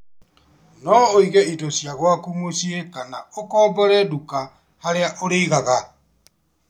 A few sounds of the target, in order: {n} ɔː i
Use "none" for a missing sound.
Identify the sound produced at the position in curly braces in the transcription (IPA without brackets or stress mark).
n